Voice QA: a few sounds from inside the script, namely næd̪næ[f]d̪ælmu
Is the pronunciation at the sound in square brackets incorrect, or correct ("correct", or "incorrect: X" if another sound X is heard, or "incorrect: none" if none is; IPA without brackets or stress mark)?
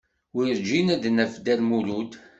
correct